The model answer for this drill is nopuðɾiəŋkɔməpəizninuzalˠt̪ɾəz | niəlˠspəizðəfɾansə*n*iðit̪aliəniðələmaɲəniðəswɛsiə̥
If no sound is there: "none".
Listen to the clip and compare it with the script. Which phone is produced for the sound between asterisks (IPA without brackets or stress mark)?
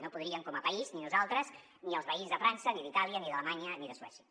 n